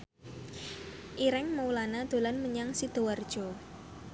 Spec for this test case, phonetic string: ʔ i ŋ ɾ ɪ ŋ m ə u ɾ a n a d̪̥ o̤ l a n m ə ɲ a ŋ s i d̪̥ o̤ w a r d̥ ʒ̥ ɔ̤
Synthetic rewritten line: ʔ i ɾ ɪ ŋ m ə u l a n a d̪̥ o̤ l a n m ə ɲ a ŋ s i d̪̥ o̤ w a r d̥ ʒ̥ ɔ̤